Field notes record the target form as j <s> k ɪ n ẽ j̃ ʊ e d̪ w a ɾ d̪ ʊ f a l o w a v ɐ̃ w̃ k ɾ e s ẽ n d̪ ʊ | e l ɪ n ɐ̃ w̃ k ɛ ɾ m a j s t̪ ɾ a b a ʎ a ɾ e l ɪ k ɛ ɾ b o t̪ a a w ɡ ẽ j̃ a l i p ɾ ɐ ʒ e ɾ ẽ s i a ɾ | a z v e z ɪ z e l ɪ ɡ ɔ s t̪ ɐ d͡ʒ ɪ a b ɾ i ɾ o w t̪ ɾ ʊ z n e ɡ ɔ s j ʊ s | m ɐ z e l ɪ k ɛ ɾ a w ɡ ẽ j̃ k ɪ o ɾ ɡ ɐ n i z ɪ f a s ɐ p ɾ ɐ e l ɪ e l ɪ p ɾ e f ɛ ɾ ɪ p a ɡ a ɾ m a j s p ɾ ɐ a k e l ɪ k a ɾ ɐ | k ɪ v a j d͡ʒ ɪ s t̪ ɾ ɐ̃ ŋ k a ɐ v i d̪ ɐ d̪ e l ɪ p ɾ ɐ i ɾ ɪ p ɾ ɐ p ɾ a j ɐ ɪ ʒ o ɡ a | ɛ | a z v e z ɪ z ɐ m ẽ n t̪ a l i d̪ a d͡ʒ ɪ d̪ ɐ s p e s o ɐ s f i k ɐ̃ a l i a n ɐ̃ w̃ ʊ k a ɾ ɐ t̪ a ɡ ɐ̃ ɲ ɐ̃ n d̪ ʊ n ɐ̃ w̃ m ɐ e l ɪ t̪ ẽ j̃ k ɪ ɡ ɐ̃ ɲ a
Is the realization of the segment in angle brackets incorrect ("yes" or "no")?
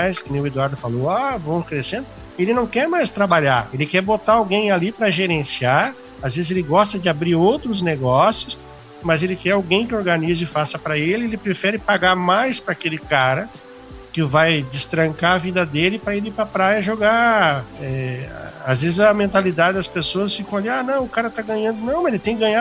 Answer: no